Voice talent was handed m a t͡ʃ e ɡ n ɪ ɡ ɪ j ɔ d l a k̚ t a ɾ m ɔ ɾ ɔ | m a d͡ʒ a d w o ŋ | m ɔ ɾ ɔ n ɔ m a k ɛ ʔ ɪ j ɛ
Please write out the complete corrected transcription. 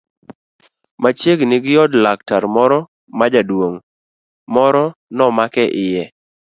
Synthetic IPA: m a t͡ʃ e ɡ n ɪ ɡ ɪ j ɔ d l a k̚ t a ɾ m ɔ ɾ ɔ | m a d͡ʒ a d w o ŋ | m ɔ ɾ ɔ n ɔ m a k ɛ ʔ ɪ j ɛ